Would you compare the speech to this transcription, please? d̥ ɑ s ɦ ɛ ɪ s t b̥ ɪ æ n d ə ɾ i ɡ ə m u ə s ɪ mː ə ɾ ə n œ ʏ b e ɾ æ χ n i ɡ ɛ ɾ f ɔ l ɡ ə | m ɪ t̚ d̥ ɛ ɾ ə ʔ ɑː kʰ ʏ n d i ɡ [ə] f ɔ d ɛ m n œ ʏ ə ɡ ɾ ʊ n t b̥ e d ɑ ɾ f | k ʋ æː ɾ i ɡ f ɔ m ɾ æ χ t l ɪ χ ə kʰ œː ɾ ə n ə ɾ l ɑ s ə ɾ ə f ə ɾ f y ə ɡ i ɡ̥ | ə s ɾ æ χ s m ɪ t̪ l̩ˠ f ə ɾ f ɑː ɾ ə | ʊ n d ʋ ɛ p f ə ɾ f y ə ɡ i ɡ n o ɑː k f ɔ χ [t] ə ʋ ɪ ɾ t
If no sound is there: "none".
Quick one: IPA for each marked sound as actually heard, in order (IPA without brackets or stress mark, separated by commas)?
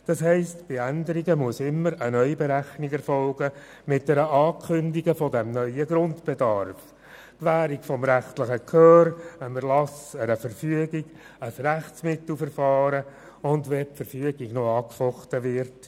ə, t